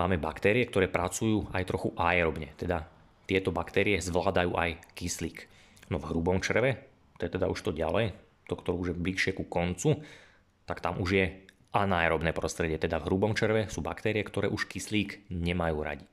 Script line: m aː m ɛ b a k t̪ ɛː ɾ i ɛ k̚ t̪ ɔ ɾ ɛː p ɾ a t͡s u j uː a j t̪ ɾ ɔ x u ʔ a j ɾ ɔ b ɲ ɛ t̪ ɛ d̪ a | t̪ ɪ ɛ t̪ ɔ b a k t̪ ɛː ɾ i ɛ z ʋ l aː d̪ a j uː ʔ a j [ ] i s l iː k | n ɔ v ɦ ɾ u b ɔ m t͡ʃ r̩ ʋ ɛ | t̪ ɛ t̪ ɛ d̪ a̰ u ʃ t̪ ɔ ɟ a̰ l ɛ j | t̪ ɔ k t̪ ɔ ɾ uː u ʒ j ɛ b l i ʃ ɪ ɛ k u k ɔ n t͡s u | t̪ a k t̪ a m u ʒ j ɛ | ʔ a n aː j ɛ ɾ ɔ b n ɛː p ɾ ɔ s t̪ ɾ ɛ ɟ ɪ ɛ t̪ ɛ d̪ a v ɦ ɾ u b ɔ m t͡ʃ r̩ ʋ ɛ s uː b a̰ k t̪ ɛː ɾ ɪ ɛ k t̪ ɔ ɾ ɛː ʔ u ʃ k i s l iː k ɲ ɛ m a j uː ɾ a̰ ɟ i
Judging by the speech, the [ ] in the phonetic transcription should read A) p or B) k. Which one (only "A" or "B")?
B